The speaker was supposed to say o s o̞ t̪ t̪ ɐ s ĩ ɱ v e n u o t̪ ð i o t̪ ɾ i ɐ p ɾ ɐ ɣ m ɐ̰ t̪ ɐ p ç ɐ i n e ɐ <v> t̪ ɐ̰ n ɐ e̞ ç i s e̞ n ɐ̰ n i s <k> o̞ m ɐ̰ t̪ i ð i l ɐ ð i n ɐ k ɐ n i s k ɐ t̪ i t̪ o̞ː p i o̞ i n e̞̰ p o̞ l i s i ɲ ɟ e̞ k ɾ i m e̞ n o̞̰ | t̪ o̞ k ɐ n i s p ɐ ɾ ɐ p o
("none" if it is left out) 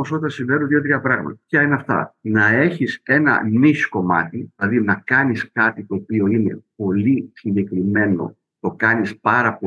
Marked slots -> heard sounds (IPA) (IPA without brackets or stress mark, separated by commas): f, k